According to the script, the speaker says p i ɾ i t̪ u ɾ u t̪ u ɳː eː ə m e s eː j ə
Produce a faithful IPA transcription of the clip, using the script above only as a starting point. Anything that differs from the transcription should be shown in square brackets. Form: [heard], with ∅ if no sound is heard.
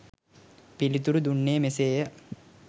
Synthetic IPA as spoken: p i [l] i t̪ u ɾ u [d̪] u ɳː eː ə m e s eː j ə